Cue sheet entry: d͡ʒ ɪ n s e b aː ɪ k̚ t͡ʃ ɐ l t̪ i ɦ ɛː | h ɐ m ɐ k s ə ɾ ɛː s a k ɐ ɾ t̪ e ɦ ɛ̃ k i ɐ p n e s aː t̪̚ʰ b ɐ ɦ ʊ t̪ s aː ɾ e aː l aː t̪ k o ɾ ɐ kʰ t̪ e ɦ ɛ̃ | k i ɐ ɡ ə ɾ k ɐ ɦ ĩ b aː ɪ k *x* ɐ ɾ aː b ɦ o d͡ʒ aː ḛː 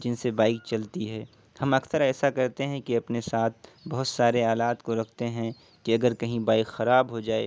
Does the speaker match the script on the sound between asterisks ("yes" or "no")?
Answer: yes